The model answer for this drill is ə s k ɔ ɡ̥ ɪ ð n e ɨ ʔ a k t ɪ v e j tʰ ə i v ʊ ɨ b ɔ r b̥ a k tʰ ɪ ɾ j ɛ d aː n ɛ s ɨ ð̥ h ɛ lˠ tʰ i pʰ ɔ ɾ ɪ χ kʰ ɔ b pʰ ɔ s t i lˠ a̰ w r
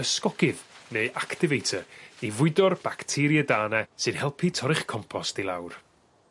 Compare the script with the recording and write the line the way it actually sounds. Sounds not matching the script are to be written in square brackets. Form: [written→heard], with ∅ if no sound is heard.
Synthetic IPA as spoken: ə s k ɔ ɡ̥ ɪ ð n e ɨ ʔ a k t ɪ v e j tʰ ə i v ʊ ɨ [b→d] ɔ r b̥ a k tʰ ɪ ɾ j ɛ d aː n ɛ s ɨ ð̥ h ɛ lˠ [tʰ→pʰ] i [pʰ→tʰ] ɔ ɾ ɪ χ kʰ ɔ [b→m] pʰ ɔ s t i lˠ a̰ w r